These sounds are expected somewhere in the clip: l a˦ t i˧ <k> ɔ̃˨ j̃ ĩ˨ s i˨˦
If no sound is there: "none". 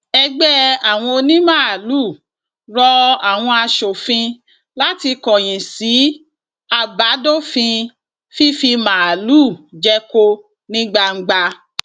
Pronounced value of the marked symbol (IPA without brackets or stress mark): k